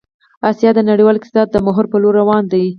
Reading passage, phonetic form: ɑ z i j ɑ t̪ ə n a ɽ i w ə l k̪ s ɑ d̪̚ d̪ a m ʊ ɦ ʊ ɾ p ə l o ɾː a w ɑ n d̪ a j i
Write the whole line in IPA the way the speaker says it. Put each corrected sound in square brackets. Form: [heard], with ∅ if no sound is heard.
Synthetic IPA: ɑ [s] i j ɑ [d̪] ə n a ɽ i w [ɑ] l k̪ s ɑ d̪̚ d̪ [ə] m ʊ ɦ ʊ ɾ p ə l o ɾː a w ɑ n d̪ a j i